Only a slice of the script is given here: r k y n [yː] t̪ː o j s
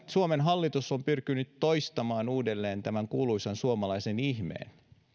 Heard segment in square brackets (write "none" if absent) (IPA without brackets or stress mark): y